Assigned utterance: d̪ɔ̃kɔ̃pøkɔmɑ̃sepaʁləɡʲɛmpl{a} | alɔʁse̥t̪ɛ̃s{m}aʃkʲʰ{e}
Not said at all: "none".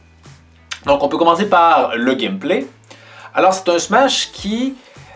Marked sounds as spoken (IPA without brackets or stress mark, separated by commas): e, m, i